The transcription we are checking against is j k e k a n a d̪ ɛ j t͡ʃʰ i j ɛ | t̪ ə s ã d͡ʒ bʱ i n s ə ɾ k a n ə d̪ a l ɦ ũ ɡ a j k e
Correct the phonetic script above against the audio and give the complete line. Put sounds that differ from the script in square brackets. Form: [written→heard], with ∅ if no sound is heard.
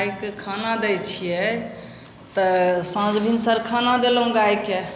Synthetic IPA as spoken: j k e [k→kʰ] a n a d̪ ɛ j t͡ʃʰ i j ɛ | t̪ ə s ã d͡ʒ bʱ i n s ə ɾ [k→kʰ] a n [ə→a] d̪ [a→e] l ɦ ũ ɡ a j k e